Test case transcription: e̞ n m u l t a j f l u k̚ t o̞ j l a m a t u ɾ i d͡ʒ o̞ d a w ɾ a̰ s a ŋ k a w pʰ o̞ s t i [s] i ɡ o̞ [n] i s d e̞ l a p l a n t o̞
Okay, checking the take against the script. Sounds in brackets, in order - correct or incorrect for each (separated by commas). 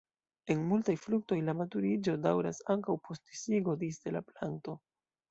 correct, incorrect